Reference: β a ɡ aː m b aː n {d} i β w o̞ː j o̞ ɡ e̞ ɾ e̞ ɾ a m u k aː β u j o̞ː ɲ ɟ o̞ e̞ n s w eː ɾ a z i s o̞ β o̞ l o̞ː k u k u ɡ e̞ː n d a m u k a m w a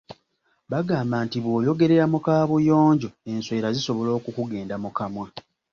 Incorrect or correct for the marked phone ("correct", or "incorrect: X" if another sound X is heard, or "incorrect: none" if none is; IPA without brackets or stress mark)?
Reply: incorrect: t